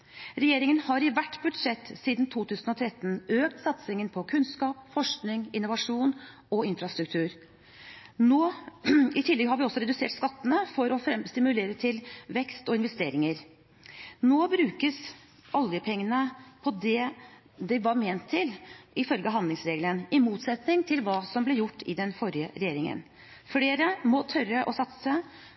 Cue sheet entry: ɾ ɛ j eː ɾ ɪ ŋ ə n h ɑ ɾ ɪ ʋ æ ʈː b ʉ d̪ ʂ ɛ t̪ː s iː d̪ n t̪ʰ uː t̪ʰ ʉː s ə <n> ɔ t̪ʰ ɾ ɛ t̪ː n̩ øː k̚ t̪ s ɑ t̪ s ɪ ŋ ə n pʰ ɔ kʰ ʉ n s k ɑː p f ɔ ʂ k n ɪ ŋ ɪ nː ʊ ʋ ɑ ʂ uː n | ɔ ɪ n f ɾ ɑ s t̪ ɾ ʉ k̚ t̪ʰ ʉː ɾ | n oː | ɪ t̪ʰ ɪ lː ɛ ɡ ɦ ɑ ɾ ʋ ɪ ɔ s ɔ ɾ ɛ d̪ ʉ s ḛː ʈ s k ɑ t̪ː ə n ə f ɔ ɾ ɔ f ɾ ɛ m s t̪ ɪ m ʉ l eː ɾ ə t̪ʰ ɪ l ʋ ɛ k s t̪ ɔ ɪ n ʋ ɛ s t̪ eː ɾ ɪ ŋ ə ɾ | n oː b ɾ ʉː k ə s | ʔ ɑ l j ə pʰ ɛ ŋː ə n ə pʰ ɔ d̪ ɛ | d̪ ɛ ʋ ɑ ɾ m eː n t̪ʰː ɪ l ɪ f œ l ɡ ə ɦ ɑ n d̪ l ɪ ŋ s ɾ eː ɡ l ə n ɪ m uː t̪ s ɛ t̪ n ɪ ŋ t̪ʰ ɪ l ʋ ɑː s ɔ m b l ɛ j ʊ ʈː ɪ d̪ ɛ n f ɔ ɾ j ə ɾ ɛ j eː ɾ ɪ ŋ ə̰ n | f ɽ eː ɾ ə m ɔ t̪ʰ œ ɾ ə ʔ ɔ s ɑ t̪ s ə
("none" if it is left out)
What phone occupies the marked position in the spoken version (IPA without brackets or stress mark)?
n